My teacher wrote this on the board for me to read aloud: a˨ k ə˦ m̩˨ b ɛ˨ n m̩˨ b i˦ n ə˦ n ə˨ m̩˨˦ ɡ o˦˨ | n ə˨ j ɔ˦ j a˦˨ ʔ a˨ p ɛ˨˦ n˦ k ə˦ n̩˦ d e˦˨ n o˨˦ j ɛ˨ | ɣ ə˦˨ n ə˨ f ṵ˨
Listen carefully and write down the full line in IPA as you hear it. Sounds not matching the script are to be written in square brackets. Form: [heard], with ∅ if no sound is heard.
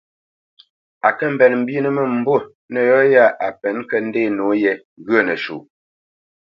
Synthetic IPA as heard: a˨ k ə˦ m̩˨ b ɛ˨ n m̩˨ b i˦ n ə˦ [m] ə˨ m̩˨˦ [b] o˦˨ | n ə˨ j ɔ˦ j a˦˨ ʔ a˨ p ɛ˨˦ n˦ k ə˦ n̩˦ d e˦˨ n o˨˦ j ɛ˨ | ɣ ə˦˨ n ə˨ [ʃ] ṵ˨

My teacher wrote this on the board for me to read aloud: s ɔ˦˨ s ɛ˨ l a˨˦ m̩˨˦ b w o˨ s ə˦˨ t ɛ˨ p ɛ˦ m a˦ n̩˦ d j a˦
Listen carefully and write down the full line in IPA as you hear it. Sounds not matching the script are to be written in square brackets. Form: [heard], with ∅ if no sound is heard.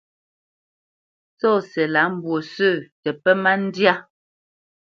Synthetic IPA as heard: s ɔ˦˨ s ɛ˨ l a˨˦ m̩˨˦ b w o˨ s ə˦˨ t ɛ˨ p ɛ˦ m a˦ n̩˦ d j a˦

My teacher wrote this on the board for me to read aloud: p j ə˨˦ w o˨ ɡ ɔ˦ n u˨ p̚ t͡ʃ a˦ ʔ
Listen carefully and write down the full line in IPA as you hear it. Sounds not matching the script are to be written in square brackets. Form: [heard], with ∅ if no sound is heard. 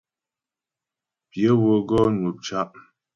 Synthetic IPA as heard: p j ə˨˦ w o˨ ɡ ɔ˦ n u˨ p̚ t͡ʃ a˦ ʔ

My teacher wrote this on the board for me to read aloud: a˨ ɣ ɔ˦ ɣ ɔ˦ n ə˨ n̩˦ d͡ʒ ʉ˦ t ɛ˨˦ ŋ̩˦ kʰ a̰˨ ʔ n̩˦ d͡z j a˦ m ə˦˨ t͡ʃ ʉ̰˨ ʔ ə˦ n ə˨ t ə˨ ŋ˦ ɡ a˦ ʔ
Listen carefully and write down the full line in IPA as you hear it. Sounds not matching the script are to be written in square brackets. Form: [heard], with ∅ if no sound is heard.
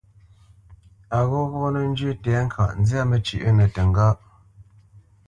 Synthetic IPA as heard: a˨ ɣ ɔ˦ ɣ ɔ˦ n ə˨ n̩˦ d͡ʒ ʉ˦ t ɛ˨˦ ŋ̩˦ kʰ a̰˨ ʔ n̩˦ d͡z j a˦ m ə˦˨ t͡ʃ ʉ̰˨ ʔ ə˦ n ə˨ t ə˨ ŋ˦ ɡ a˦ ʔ

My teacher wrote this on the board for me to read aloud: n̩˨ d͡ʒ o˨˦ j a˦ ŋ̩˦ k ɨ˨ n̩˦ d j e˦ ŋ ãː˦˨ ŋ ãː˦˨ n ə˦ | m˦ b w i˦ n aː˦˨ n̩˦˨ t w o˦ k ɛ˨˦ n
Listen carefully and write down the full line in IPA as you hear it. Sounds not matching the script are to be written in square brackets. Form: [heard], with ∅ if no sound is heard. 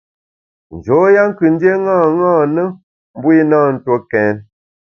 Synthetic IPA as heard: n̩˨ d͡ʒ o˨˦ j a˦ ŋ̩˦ k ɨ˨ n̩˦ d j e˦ ŋ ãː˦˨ ŋ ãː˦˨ n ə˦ | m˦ b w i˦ n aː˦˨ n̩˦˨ t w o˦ k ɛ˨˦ n

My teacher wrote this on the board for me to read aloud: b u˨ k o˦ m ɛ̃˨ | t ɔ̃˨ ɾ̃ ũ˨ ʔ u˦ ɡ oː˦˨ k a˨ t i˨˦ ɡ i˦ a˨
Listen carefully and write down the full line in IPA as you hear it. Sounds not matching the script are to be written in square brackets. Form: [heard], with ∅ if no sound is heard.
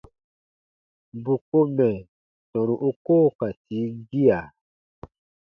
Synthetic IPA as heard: b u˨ k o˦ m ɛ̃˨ | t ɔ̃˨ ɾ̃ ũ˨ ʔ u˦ [k] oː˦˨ k a˨ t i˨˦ ɡ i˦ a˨

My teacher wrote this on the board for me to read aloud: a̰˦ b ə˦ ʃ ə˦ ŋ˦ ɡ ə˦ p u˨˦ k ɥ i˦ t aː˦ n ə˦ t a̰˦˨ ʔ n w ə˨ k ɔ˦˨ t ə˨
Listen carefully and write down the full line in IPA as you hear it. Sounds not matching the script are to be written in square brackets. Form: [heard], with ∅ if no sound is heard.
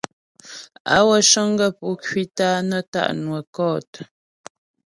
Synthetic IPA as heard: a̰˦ [w] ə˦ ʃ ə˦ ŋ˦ ɡ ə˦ p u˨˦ k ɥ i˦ t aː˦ n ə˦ t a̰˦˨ ʔ n w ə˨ k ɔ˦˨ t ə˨

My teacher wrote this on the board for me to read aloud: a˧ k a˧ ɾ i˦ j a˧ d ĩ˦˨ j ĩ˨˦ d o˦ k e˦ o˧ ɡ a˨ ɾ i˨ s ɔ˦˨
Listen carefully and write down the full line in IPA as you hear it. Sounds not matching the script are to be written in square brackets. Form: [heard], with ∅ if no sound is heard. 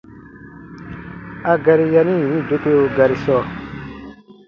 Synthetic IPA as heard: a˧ [ɡ] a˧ ɾ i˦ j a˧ [n] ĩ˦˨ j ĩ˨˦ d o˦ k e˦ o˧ ɡ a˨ ɾ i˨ s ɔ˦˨

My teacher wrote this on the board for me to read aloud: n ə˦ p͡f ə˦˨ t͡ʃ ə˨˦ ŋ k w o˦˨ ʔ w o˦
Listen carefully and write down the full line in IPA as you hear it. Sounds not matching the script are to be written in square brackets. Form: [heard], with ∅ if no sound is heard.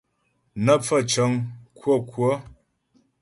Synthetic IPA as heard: n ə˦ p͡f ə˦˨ t͡ʃ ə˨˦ ŋ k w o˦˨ [k] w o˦

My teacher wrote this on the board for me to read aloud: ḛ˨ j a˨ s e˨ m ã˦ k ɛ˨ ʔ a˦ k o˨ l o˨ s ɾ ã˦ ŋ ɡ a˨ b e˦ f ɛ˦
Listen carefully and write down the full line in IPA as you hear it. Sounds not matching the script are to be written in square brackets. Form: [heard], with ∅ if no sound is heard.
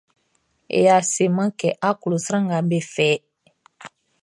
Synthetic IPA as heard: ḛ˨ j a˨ s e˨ m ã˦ k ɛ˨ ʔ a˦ k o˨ l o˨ s ɾ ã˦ ŋ ɡ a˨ b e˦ f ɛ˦

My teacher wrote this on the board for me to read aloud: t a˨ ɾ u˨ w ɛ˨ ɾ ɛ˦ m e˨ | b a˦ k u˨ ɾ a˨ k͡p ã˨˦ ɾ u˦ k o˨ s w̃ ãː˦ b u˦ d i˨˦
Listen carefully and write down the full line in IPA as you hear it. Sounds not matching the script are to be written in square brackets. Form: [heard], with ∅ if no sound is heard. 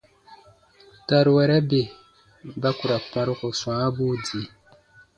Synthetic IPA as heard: t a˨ ɾ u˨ w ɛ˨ ɾ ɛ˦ [b] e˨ | b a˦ k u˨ ɾ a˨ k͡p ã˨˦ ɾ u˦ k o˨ s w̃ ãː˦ b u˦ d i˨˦

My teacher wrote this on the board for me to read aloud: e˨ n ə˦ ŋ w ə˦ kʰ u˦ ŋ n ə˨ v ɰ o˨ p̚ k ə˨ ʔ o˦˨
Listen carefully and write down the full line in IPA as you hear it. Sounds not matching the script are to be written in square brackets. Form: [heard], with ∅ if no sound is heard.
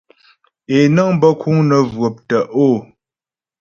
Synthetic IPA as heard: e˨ n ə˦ ŋ [b] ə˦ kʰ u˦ ŋ n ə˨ v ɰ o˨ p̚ [t] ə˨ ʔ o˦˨

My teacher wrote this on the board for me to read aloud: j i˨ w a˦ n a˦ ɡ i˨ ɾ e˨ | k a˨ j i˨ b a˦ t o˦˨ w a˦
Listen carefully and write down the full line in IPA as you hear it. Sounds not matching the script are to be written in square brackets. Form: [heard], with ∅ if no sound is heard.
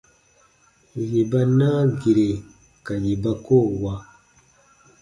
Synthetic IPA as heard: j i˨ [b] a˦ n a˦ ɡ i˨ ɾ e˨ | k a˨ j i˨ b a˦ [k] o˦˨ w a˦

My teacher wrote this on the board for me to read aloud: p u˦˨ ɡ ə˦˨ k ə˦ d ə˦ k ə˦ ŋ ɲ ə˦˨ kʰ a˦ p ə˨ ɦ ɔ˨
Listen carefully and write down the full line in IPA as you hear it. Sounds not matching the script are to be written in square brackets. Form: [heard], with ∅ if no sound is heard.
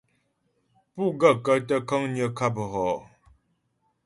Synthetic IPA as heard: p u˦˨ ɡ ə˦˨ k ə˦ [t] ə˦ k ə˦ ŋ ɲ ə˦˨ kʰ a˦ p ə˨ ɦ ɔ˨

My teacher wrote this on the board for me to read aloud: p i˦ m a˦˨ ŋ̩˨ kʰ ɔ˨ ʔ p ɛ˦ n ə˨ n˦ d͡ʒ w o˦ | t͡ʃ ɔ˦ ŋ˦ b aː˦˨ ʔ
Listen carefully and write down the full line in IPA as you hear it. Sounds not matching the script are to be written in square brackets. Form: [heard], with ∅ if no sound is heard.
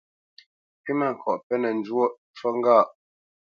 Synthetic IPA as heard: p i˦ m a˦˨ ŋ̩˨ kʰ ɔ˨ ʔ p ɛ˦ n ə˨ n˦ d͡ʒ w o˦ | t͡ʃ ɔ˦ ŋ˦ [ɡ] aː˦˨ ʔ

